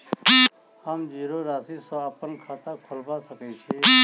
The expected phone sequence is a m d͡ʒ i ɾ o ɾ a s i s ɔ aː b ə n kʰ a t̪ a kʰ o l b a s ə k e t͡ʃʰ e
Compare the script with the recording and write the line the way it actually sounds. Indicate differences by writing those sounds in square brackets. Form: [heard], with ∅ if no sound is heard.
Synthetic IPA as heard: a m d͡ʒ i ɾ o ɾ a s i s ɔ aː [p] ə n kʰ a t̪ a kʰ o l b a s ə k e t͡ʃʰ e